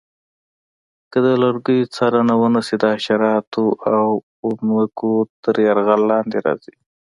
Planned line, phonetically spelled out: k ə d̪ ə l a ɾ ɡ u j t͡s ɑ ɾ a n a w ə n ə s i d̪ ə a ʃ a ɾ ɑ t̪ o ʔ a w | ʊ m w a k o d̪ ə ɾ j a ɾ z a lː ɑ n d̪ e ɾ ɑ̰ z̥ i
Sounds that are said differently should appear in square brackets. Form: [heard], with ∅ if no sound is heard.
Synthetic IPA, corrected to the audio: k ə d̪ ə l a ɾ ɡ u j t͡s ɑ ɾ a n a w ə n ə s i d̪ ə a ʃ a ɾ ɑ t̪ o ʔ a w | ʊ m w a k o [t̪] ə ɾ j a ɾ [ɣ] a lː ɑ n d̪ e ɾ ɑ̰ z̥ i